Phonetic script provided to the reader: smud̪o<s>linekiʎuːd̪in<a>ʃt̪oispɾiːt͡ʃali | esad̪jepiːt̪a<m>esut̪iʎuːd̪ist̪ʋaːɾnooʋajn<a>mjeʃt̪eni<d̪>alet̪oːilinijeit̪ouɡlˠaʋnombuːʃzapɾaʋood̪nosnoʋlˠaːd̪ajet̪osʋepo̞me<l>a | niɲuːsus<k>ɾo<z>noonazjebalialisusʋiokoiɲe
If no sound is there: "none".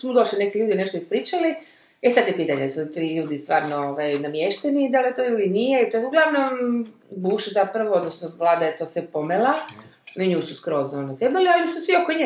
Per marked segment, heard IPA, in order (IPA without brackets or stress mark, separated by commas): ʃ, e, ɲ, a, d̪, l, k, z